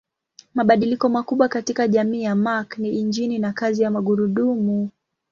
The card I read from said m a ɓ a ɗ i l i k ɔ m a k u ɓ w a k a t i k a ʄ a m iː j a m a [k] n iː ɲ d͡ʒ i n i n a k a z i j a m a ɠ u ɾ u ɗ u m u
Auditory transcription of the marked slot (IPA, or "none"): k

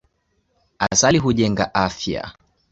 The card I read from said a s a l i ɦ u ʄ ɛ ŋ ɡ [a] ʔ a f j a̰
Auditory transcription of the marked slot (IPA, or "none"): a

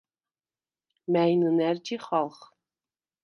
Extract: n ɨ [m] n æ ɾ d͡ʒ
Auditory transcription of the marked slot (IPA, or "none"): none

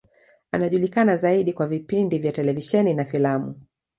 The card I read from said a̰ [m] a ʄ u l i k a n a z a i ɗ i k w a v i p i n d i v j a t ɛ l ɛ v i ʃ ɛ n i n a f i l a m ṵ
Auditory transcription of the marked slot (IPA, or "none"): n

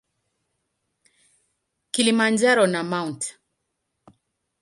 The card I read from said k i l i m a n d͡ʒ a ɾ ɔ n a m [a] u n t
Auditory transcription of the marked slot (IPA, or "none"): a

